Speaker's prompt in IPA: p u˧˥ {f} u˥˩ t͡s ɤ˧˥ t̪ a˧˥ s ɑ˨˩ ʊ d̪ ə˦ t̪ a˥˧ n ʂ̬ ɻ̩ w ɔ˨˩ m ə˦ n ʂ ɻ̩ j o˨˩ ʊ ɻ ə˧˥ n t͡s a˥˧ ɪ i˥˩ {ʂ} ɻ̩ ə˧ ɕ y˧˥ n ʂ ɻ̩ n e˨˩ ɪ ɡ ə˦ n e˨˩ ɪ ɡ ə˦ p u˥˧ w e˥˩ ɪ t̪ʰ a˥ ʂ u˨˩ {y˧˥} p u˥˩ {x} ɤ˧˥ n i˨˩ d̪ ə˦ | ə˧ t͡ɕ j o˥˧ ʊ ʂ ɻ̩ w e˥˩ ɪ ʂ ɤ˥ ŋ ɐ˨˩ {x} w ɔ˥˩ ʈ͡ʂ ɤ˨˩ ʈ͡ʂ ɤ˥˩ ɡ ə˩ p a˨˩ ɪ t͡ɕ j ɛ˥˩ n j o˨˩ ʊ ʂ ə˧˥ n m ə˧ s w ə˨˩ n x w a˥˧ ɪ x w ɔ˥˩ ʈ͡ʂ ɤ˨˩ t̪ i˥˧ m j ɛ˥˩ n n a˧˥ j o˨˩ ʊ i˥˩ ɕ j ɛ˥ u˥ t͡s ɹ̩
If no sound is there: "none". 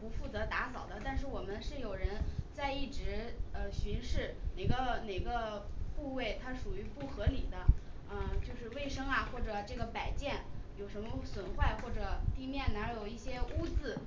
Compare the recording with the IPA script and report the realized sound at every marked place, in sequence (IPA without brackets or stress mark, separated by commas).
f, ʈ͡ʂ, y˧˥, x, x